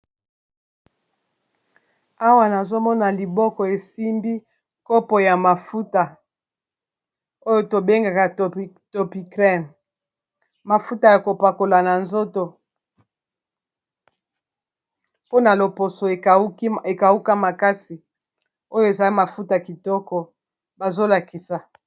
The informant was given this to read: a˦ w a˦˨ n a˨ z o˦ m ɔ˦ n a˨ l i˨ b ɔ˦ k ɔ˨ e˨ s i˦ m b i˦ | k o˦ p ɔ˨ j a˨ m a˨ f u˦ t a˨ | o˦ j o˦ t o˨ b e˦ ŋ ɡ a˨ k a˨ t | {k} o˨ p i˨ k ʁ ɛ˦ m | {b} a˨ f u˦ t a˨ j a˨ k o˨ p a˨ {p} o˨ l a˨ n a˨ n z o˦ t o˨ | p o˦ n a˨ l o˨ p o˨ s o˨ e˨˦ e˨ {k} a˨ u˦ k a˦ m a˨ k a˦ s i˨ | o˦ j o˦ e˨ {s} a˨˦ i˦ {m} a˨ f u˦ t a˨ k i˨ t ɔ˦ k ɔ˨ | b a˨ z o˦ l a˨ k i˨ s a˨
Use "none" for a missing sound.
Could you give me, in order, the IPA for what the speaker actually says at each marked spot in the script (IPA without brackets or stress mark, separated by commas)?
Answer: t, m, k, k, z, m